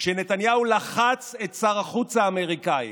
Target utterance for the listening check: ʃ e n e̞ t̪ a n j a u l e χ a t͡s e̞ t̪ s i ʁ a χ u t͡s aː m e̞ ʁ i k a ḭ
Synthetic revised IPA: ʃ e n e̞ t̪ a n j a u l a χ a t͡s e̞ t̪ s a ʁ a χ u t͡s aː m e̞ ʁ i k a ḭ